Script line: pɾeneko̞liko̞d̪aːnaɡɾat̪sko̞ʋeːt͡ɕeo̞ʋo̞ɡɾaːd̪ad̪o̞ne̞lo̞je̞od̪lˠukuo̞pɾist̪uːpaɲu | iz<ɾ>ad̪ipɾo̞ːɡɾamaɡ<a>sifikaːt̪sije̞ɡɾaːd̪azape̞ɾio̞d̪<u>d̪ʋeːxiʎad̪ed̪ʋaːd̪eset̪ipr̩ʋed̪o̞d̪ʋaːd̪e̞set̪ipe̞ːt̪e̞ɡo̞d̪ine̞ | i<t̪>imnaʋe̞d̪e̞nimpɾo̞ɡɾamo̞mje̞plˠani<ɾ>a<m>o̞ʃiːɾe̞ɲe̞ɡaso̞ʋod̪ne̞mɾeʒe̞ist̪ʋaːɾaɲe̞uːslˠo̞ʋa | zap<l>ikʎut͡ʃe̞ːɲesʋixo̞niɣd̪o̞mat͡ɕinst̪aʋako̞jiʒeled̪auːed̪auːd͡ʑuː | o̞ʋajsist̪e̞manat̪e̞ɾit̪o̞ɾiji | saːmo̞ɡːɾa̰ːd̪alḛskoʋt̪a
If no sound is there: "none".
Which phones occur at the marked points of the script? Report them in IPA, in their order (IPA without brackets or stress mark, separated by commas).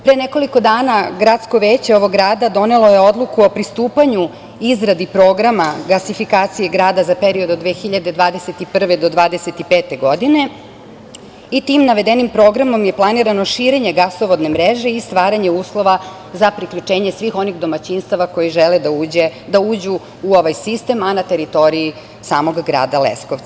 ɾ, a, o, t̪, ɾ, n, ɾ